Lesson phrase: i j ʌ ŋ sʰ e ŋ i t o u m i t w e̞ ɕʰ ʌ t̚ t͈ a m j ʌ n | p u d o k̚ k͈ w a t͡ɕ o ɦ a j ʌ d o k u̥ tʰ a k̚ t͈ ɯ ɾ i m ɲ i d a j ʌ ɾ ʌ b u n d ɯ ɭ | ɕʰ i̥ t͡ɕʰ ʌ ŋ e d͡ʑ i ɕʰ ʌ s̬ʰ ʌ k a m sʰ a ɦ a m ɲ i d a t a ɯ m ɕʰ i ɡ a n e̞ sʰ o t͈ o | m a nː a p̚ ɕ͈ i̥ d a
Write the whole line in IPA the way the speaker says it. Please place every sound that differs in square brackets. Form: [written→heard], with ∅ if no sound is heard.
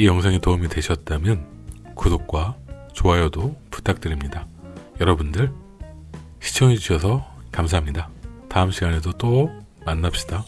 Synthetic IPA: i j ʌ ŋ sʰ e ŋ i t o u m i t w e̞ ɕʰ ʌ t̚ t͈ a m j ʌ n | [p→k] u d o k̚ k͈ w a t͡ɕ o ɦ a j ʌ d o [k→p] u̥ tʰ a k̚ t͈ ɯ ɾ i m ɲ i d a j ʌ ɾ ʌ b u n d ɯ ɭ | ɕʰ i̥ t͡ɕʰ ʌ ŋ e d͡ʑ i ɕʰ ʌ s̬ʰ ʌ k a m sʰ a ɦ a m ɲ i d a t a ɯ m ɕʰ i ɡ a n e̞ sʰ o t͈ o | m a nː a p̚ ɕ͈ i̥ d a

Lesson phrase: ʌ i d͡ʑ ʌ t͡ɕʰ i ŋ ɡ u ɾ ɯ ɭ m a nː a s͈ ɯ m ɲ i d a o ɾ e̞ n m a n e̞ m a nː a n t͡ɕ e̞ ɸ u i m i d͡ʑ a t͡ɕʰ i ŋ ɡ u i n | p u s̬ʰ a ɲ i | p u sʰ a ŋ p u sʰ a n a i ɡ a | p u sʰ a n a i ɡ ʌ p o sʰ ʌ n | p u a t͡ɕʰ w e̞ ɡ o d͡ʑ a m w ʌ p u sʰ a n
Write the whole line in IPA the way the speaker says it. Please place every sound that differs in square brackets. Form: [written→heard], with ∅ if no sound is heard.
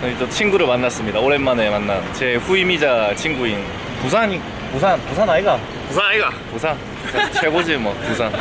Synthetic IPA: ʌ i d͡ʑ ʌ t͡ɕʰ i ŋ ɡ u ɾ ɯ ɭ m a nː a s͈ ɯ m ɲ i d a o ɾ e̞ n m a n e̞ m a nː a n t͡ɕ e̞ ɸ u i m i d͡ʑ a t͡ɕʰ i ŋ ɡ u i n | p u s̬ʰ a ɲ i | p u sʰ a [ŋ→n] p u sʰ a n a i ɡ a | p u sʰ a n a i ɡ [ʌ→a] p [o→u] sʰ [ʌ→a] n | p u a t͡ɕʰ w e̞ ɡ o d͡ʑ [a→i] m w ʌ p u sʰ a n

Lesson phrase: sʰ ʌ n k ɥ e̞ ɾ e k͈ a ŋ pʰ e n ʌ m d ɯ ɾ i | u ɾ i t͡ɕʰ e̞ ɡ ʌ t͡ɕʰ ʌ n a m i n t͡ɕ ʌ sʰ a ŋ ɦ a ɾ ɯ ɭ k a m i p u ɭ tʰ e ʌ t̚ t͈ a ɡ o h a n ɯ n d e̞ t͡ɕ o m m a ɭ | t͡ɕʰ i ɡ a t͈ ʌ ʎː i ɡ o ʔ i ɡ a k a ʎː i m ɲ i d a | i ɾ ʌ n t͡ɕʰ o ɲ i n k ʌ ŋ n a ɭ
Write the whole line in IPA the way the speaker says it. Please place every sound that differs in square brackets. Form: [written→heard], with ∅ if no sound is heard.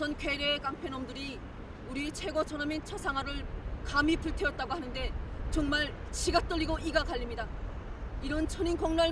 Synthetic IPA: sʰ ʌ n k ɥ e̞ ɾ e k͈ a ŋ pʰ e n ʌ m d ɯ ɾ i | u ɾ i t͡ɕʰ e̞ ɡ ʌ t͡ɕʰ ʌ n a m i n [t͡ɕ→t͡ɕʰ] ʌ sʰ a ŋ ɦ a ɾ ɯ ɭ k a m i p u ɭ tʰ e ʌ t̚ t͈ a ɡ o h a n ɯ n d e̞ t͡ɕ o [m→ŋ] m a ɭ | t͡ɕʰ i ɡ a t͈ ʌ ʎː i ɡ o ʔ i ɡ a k a ʎː i m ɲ i d a | i ɾ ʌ n t͡ɕʰ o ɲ i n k ʌ ŋ n a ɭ

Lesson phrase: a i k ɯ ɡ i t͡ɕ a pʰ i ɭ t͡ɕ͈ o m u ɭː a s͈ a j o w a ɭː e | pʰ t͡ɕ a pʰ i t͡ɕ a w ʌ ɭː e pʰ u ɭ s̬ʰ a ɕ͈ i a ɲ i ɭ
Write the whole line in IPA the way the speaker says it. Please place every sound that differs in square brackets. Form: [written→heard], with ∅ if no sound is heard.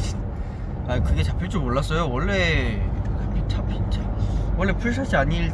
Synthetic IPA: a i k ɯ ɡ [i→e] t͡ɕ a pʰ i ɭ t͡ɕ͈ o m [u→o] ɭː a s͈ [a→ʌ] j o w [a→ʌ] ɭː e | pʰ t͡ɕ a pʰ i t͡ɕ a w ʌ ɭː e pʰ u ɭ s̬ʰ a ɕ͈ i a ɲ i ɭ

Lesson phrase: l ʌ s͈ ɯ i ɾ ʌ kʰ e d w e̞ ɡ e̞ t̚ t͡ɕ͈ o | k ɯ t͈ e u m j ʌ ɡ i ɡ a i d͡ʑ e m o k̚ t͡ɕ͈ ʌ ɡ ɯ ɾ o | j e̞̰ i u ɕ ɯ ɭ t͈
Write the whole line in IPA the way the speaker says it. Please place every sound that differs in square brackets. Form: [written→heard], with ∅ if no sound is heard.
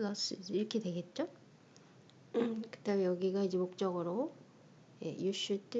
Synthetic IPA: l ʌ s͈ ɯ i ɾ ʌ kʰ e d w e̞ ɡ e̞ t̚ t͡ɕ͈ o | k ɯ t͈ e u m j ʌ ɡ i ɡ a i d͡ʑ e m o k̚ t͡ɕ͈ ʌ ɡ ɯ ɾ o | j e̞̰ [i→j] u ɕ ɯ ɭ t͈

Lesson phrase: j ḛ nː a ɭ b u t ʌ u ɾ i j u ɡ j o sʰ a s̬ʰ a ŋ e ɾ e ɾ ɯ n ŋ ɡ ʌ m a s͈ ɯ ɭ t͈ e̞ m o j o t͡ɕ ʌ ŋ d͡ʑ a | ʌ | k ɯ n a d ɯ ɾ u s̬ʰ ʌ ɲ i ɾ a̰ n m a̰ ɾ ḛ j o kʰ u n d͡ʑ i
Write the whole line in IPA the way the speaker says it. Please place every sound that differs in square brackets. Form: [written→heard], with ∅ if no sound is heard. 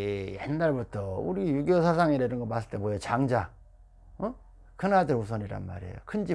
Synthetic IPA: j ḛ nː a ɭ b u [t→tʰ] ʌ u ɾ i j u ɡ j o sʰ a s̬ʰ a ŋ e ɾ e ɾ ɯ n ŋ ɡ ʌ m a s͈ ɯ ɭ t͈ e̞ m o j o t͡ɕ [ʌ→a] ŋ d͡ʑ a | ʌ | k ɯ n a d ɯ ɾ u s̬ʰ ʌ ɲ i ɾ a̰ n m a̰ ɾ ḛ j o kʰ [u→ɯ] n d͡ʑ i

